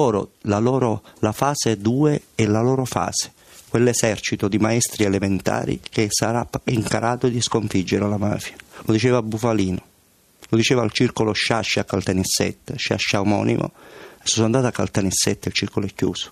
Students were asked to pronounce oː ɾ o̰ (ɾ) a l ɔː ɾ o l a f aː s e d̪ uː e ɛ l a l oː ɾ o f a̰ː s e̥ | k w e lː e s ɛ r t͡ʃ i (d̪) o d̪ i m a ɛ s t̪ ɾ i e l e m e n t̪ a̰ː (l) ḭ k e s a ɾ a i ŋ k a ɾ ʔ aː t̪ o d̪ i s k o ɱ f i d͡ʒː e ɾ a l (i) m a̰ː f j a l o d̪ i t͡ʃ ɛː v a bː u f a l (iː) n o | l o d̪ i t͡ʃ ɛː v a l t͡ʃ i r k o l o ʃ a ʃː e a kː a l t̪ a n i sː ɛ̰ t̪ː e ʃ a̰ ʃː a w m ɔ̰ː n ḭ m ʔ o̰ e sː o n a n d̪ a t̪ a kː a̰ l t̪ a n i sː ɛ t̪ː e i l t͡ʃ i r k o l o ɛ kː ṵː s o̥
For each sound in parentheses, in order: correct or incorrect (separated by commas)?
incorrect, incorrect, incorrect, incorrect, correct